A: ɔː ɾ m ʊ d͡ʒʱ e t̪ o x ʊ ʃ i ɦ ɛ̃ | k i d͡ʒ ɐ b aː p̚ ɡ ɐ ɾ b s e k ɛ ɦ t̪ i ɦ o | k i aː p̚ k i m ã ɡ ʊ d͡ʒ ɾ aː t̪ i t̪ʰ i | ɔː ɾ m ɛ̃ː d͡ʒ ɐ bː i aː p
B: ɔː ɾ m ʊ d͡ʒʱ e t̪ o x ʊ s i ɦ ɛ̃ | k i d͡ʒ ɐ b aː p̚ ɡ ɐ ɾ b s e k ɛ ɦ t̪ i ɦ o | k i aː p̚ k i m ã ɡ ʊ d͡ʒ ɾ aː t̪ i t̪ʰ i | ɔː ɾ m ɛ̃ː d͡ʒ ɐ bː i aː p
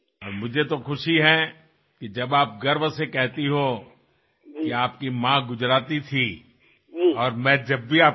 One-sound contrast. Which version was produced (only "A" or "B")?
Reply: A